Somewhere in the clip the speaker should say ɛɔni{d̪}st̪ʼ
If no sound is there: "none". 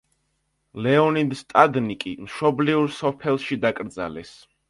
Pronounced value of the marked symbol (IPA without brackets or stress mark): d̪